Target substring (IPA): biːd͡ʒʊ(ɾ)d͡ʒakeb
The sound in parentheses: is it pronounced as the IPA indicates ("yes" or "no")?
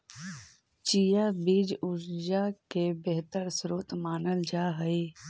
yes